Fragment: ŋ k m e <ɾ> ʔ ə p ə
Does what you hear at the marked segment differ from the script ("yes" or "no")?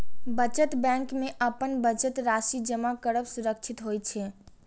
yes